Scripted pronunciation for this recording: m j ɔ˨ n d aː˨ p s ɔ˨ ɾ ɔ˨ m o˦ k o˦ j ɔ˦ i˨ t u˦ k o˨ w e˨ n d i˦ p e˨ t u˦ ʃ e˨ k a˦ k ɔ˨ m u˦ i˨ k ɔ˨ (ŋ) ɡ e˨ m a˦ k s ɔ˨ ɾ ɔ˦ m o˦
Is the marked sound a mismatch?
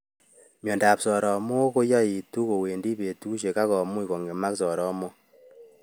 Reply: no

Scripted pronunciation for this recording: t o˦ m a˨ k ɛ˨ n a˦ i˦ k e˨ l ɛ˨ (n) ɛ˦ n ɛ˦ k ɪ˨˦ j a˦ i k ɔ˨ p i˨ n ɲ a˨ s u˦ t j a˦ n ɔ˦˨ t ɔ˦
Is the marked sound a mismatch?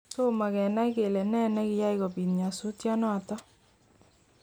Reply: no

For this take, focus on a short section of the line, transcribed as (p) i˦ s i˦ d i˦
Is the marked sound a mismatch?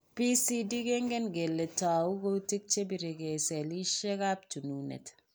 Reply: no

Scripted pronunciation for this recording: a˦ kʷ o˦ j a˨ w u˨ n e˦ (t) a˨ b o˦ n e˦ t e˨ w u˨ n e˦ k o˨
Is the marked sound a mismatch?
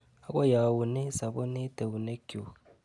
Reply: yes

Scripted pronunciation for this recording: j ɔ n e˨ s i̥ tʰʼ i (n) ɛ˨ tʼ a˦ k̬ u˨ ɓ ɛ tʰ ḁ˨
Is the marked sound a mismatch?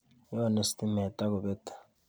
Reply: yes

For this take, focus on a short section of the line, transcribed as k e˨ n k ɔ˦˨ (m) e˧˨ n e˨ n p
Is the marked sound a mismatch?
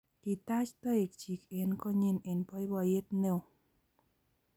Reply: yes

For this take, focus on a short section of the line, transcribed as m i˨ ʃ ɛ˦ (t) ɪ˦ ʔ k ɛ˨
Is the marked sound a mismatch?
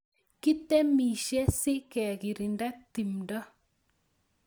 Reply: yes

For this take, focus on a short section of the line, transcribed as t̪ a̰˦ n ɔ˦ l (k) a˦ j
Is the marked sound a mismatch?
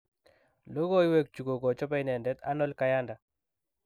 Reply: no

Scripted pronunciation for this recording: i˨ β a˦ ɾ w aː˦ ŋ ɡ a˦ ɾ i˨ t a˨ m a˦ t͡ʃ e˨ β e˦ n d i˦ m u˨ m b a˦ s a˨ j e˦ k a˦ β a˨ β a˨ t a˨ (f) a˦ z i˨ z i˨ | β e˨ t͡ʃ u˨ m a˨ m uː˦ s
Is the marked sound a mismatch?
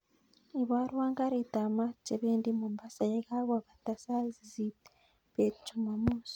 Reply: yes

